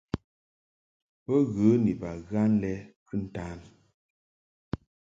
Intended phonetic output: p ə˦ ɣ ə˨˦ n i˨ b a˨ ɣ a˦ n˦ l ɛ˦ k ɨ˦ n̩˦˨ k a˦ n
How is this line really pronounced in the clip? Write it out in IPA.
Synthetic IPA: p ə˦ ɣ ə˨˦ n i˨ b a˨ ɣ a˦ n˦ l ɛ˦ k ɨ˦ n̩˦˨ t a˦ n